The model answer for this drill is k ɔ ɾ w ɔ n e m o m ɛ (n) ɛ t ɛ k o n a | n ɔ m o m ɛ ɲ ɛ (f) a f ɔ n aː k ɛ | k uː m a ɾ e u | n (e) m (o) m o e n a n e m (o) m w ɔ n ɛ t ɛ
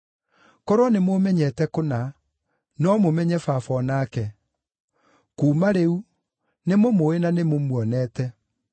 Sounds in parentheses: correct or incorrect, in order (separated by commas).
incorrect, correct, correct, correct, correct